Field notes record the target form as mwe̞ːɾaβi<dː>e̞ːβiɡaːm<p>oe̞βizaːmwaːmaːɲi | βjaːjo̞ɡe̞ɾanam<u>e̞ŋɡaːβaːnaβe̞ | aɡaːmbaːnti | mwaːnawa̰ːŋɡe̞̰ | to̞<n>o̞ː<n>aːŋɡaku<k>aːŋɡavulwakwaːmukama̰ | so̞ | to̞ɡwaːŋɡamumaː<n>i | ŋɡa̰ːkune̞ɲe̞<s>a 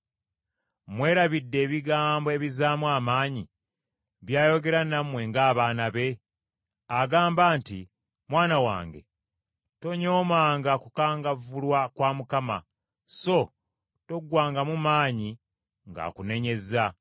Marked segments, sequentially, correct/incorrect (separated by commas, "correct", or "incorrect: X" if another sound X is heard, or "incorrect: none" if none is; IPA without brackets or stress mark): correct, incorrect: b, incorrect: w, incorrect: ɲ, incorrect: m, correct, incorrect: ɲ, incorrect: z